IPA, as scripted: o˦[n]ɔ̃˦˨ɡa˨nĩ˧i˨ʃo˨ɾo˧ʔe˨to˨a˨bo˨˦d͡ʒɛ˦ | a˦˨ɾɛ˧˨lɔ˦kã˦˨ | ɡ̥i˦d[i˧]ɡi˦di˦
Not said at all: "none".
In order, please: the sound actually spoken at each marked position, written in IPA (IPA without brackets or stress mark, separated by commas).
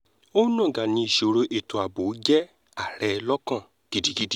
n, i˧